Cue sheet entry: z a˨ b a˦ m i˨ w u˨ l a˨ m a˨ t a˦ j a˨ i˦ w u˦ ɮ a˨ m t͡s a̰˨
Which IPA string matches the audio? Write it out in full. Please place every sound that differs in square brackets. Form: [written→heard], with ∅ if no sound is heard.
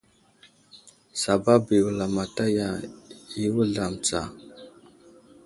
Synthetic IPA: [z→s] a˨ b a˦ [m→b] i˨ w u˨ l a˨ m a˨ t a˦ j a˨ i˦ w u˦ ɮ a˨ m t͡s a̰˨